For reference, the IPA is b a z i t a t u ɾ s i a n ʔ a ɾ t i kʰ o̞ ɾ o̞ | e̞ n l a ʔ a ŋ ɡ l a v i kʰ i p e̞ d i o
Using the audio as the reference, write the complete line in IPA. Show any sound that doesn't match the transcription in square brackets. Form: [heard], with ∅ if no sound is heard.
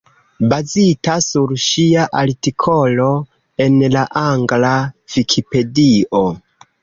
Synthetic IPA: b a z i t a [s] u ɾ [ʃ] i a [∅] ʔ a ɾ t i kʰ o̞ [l] o̞ | e̞ n l a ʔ a ŋ ɡ l a v i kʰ i p e̞ d i o